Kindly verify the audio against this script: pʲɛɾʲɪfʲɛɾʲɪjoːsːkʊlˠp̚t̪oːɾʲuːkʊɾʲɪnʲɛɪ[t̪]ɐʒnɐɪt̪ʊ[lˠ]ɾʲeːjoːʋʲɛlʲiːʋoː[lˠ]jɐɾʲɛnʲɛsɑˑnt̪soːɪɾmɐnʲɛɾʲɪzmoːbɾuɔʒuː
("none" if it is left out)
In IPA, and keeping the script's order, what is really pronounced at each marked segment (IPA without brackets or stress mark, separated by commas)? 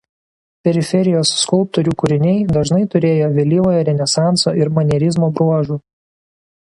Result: d̪, none, none